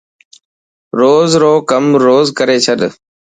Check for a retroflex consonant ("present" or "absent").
absent